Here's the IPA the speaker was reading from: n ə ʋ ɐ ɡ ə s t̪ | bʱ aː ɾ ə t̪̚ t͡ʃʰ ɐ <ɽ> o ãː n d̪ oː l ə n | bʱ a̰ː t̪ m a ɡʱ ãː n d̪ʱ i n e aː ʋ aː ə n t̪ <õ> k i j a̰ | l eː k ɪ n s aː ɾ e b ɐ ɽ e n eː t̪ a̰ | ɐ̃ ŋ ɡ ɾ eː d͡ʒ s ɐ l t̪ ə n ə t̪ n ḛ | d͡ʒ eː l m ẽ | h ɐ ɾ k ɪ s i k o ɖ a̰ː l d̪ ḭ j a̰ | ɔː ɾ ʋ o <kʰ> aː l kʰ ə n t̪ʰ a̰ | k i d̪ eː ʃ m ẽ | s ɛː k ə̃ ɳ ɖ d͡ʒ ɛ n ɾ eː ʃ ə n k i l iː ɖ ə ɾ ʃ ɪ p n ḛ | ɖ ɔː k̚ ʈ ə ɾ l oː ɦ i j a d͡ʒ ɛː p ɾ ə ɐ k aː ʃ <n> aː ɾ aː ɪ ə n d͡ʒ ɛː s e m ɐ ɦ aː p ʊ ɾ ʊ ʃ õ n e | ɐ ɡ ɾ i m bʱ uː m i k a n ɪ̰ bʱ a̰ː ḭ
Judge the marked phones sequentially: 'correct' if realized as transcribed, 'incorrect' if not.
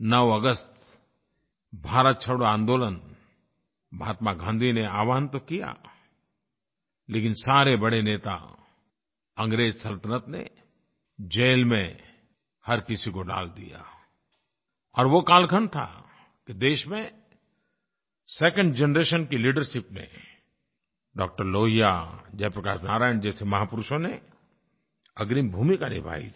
correct, incorrect, incorrect, correct

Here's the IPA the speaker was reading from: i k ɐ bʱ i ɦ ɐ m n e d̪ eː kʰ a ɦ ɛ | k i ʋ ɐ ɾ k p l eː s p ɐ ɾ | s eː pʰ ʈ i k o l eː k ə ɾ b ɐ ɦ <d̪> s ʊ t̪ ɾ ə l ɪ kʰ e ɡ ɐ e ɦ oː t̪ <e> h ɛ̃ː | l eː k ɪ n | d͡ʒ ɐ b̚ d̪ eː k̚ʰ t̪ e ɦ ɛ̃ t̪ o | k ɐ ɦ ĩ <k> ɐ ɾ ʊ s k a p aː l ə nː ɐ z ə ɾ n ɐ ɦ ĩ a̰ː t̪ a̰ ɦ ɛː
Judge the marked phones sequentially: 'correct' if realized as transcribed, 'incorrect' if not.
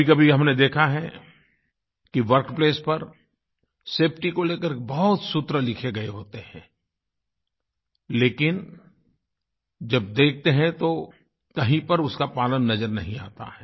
incorrect, correct, incorrect

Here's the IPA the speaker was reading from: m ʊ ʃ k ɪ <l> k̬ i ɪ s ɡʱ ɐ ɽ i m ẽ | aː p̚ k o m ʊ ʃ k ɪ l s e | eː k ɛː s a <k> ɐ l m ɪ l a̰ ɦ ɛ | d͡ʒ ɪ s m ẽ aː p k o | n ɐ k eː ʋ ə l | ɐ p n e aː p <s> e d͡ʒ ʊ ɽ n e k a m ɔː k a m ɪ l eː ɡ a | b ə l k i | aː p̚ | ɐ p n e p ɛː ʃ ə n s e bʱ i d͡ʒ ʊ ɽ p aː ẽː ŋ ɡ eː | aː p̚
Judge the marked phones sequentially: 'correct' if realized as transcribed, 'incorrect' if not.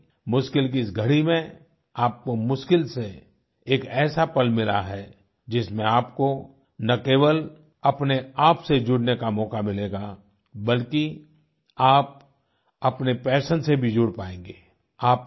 correct, incorrect, correct

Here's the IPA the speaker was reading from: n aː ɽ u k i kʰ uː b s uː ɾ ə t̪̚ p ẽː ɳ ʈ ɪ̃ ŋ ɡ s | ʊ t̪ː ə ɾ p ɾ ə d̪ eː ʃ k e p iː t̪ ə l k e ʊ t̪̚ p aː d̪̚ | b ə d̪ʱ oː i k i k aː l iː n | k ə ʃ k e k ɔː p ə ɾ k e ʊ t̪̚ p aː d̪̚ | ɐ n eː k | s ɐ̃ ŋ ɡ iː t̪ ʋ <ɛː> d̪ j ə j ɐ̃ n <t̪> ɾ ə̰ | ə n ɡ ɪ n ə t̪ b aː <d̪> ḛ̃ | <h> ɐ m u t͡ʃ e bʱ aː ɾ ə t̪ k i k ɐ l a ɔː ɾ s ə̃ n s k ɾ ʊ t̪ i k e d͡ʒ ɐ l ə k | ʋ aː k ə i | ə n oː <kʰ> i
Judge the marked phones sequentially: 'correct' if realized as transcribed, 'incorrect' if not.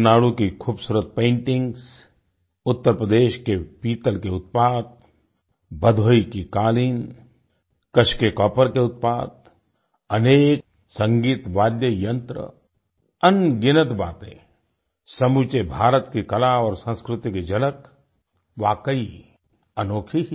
incorrect, correct, incorrect, incorrect, correct

